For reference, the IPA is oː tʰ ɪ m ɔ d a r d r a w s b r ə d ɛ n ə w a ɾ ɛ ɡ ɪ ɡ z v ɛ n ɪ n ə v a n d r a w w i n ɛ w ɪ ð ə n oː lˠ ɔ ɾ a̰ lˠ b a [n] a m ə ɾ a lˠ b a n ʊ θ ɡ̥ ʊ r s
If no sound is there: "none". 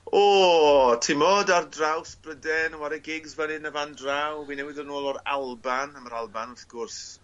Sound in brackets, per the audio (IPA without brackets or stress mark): n